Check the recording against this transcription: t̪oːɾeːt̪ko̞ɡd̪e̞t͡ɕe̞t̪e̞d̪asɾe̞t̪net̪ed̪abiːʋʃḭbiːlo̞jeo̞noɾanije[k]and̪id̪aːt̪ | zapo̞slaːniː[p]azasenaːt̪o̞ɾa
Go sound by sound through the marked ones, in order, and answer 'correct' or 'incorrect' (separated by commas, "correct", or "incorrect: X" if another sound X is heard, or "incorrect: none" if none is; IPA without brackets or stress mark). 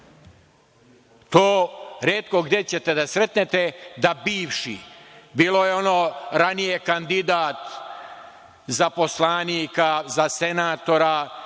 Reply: correct, incorrect: k